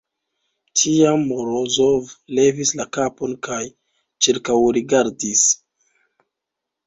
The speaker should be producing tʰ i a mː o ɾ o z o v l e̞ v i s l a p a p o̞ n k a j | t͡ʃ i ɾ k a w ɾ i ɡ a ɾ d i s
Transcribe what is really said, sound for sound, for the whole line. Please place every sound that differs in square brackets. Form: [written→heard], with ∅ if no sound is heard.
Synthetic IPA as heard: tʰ i a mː o ɾ o z o v l e̞ v i s l a [p→k] a p o̞ n k a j | t͡ʃ i ɾ k a w ɾ i ɡ a ɾ d i s